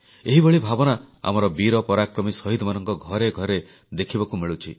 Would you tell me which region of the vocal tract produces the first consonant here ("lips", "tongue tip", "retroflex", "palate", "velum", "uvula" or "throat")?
throat